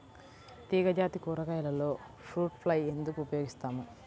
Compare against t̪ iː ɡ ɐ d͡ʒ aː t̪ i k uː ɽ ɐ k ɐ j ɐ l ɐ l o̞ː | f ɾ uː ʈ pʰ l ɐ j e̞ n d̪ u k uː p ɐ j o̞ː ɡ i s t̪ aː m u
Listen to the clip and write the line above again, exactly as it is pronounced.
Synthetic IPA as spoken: t̪ iː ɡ ɐ d͡ʒ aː t̪ i k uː ɾ ɐ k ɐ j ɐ l ɐ l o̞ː | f ɾ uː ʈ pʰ l ɐ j e̞ n d̪ u k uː p ɐ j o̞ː ɡ i s t̪ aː m u